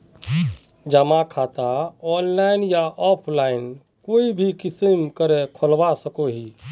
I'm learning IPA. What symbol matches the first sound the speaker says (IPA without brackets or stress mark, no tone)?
d͡ʒ